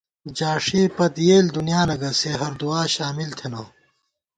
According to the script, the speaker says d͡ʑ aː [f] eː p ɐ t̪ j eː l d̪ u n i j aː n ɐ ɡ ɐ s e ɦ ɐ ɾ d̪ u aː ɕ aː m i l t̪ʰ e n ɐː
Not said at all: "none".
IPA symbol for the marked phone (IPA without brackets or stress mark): ʂ